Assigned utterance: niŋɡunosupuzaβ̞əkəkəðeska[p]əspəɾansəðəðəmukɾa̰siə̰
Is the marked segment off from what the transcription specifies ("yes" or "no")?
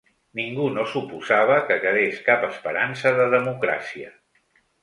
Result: no